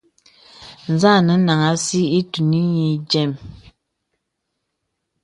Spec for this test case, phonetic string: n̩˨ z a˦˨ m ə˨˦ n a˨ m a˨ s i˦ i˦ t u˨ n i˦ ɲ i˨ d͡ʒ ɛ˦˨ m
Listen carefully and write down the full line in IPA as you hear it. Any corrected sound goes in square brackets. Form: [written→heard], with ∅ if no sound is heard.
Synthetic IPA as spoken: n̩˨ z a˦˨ [m→n] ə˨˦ n a˨ [m→ŋ] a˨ s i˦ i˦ t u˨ n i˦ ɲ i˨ d͡ʒ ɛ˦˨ m